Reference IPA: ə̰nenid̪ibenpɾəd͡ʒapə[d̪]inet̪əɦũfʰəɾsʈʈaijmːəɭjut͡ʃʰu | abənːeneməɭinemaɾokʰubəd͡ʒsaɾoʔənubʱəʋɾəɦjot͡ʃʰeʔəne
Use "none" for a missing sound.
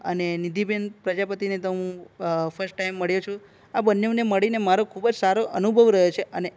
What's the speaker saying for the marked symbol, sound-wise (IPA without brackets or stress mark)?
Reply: t̪